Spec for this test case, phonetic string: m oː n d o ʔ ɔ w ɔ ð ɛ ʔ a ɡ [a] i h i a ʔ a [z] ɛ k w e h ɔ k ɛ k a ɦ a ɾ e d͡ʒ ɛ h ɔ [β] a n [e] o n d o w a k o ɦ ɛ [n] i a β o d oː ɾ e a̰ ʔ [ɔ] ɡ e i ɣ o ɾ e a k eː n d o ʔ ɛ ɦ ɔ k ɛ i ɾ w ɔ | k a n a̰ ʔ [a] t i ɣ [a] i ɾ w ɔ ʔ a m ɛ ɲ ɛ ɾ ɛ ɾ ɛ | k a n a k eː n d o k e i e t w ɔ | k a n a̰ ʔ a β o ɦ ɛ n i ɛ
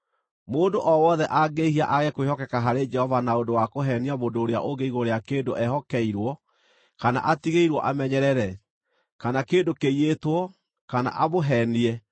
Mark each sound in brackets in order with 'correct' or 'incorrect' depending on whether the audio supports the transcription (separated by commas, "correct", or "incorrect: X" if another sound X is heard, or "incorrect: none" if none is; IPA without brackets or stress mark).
incorrect: e, incorrect: ɣ, incorrect: v, incorrect: a, correct, incorrect: o, correct, incorrect: e